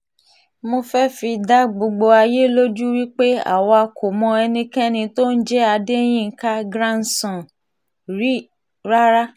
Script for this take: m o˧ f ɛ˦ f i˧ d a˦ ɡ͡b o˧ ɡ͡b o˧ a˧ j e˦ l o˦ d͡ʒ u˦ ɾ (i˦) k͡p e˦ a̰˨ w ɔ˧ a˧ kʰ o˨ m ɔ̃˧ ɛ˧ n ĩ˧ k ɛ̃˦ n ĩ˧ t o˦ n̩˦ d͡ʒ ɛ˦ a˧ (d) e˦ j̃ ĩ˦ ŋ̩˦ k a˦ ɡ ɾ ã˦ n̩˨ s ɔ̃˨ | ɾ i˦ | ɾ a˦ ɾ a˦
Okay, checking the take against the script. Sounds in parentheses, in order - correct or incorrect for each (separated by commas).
correct, correct